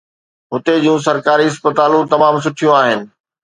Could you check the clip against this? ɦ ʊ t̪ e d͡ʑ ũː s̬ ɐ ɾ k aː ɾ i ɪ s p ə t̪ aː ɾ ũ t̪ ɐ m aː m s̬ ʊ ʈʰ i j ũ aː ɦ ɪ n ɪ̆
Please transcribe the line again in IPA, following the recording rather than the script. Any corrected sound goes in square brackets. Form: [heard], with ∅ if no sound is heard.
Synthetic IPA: ɦ ʊ t̪ e d͡ʑ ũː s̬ ɐ ɾ k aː ɾ i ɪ s p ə t̪ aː [l] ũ t̪ ɐ m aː m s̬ ʊ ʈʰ i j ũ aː ɦ ɪ n ɪ̆